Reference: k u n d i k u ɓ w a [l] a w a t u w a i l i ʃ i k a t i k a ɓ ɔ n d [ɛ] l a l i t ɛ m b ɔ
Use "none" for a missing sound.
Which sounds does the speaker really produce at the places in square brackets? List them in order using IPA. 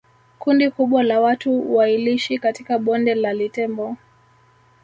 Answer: l, ɛ

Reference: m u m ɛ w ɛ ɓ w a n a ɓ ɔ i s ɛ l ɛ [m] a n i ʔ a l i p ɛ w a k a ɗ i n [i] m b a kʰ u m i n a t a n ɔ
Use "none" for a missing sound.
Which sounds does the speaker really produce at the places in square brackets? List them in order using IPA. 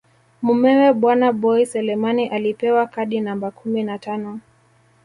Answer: m, a

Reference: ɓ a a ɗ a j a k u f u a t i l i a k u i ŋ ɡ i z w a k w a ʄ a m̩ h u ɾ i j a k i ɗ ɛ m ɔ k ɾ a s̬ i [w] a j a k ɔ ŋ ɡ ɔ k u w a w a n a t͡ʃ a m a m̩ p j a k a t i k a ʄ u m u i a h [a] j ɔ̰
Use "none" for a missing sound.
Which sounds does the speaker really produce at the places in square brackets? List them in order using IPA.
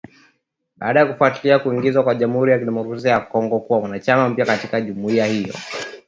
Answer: none, i

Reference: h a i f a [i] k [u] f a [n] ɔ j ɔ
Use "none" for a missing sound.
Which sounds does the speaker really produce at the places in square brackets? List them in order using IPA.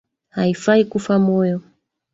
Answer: i, u, m

